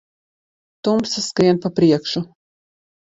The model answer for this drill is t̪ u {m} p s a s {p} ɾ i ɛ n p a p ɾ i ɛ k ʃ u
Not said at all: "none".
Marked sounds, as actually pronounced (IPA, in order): m, k

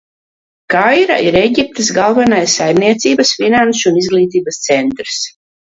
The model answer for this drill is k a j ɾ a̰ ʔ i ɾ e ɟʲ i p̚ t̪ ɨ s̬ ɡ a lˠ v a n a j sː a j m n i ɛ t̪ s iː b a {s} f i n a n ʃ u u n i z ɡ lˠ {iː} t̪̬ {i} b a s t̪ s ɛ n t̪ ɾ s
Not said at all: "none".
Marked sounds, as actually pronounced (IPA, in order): s, iː, iː

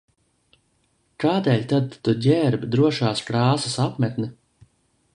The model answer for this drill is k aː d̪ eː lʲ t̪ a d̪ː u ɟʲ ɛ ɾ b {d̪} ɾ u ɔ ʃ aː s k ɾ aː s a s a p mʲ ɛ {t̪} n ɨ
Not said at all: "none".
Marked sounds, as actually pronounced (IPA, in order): d̪, t̪

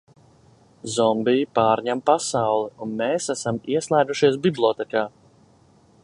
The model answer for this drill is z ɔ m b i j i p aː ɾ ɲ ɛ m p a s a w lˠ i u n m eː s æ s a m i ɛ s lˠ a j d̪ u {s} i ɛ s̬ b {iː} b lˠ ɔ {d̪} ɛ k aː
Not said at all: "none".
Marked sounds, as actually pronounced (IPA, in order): ʃ, i, t̪

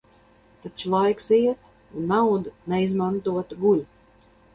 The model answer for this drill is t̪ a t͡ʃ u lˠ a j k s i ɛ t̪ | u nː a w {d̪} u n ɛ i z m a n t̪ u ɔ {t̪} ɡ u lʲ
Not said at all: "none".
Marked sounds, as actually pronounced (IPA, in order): d̪, t̪

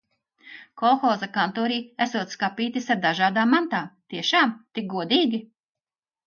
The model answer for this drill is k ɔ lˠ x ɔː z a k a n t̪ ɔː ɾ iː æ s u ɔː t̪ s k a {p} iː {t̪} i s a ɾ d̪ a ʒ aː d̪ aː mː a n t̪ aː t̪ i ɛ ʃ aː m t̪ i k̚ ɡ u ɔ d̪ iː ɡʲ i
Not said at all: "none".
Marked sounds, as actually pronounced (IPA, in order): p, t̪

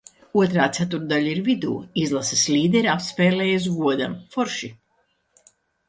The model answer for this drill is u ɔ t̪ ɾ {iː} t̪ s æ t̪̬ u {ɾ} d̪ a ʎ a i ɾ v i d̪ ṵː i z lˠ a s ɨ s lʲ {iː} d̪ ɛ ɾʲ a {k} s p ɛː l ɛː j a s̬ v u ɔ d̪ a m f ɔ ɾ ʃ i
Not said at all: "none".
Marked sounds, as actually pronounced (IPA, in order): aː, ɾ, iː, p

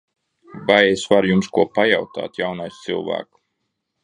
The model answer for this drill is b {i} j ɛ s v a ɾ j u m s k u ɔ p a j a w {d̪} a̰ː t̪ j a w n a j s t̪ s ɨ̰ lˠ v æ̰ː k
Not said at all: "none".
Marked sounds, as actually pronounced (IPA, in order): a, t̪

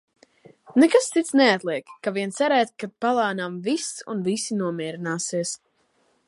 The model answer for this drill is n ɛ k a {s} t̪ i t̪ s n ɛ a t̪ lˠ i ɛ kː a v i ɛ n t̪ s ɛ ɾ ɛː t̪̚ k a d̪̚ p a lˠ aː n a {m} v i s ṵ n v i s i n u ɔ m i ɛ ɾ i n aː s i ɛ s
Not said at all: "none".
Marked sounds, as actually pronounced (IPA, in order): s, m

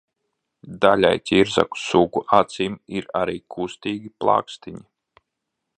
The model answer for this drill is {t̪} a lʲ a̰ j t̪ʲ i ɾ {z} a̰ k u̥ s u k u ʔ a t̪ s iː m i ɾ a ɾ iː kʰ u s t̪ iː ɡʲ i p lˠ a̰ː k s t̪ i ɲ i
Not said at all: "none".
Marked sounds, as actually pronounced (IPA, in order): d̪, z

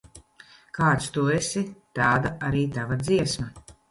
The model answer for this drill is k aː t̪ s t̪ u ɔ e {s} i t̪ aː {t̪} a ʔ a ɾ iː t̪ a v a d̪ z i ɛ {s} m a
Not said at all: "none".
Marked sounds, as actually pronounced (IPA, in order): s, d̪, s

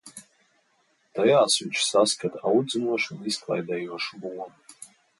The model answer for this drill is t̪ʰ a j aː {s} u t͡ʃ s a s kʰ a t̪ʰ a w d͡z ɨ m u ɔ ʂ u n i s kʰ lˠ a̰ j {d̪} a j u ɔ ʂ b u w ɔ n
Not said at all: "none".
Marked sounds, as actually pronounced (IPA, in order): s, d̪

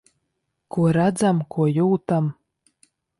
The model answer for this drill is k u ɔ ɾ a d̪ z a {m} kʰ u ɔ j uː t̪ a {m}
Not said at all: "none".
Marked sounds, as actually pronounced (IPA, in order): m, m

